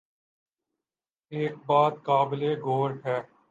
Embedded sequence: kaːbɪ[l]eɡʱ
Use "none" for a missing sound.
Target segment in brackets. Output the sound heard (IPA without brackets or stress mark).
l